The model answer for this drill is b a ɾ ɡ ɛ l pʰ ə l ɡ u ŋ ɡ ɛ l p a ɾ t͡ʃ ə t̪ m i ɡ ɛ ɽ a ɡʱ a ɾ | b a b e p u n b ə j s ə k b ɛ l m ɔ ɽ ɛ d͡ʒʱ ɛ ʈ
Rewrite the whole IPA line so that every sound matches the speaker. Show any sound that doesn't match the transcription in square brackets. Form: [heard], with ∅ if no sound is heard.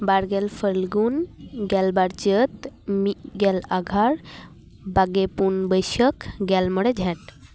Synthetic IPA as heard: b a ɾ ɡ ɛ l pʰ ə l ɡ u [n] ɡ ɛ l [b] a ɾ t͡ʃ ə t̪ m i ɡ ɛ [l] a ɡʱ a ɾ | b a [ɡ] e p u n b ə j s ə k [ɡ] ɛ l m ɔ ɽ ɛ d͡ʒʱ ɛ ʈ